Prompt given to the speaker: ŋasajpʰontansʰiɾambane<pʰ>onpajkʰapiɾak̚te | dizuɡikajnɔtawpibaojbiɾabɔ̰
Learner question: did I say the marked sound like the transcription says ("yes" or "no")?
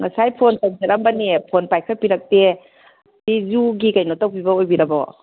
yes